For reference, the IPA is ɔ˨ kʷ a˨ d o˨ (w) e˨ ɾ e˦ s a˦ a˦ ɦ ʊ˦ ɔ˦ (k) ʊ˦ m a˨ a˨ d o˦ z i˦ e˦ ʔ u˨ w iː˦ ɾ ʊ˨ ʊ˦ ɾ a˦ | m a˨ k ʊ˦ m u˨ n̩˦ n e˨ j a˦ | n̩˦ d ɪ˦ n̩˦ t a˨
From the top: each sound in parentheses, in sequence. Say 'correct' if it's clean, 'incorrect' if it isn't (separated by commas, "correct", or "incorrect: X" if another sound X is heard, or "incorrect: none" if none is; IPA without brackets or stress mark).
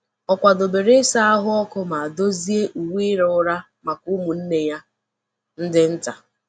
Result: incorrect: b, correct